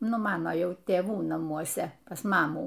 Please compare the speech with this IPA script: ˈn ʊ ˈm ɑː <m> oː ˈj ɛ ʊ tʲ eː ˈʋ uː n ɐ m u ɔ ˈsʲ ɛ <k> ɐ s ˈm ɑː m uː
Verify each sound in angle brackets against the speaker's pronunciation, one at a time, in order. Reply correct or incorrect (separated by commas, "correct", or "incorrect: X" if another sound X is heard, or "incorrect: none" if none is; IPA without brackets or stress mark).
incorrect: n, incorrect: p